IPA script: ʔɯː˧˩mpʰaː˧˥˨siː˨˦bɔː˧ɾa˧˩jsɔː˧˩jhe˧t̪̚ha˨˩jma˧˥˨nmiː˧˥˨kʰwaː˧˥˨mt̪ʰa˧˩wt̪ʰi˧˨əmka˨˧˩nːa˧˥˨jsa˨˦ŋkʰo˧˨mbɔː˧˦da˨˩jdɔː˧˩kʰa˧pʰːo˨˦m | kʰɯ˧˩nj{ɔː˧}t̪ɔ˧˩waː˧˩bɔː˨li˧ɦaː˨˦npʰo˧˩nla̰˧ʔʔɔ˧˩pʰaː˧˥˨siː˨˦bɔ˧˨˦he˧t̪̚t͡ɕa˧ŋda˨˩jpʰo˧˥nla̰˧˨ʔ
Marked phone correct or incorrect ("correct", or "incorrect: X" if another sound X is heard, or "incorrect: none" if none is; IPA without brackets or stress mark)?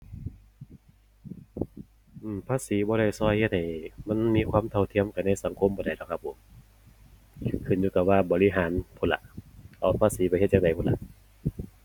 incorrect: uː˧